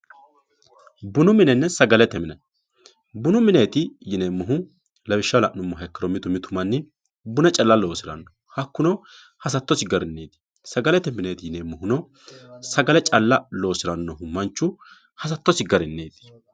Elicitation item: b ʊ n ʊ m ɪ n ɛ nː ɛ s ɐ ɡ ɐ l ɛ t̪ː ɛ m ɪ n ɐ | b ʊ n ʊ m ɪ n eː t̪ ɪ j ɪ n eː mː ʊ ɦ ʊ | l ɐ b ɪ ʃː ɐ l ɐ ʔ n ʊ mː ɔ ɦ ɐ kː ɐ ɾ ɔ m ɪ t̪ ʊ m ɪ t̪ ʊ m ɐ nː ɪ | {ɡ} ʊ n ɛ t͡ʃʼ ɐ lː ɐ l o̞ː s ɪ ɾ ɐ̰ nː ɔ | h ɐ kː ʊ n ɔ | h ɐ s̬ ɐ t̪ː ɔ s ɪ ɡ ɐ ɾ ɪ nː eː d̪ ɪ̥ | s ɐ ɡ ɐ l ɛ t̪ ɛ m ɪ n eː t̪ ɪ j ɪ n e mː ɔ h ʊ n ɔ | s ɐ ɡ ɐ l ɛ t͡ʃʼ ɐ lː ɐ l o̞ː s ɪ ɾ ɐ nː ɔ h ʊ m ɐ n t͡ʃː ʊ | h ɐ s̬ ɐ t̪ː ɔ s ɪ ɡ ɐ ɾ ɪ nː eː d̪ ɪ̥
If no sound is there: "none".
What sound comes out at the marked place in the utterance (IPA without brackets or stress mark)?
b